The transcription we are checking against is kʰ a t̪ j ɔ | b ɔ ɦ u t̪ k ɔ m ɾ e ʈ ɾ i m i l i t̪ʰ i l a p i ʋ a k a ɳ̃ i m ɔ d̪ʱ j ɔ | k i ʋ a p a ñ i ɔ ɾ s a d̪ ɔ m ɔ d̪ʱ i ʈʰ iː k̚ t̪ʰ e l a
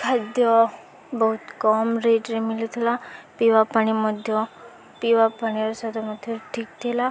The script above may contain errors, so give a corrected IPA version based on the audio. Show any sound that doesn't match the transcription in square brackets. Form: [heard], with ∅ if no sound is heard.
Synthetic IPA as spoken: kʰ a [d̪] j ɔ | b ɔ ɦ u t̪ k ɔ m ɾ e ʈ ɾ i m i l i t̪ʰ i l a p i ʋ a [p] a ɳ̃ i m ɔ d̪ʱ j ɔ | [p] i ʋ a p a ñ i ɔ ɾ s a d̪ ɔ m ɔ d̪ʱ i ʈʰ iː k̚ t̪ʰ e l a